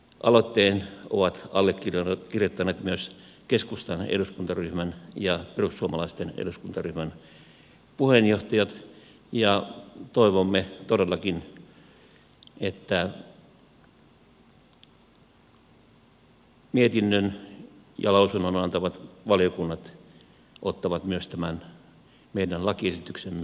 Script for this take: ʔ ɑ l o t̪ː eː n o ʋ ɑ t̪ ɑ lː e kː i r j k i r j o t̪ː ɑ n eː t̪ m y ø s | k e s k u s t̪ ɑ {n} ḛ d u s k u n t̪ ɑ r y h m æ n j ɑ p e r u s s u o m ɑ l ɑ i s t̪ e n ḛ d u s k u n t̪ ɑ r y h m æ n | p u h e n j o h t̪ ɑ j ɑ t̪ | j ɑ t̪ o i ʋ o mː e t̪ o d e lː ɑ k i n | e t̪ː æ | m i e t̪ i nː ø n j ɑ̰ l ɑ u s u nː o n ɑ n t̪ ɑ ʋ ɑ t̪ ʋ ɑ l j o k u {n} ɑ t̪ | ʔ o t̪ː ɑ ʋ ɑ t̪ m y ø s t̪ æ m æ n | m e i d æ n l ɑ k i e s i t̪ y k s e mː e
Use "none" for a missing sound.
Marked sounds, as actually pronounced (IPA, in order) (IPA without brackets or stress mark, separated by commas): n, nː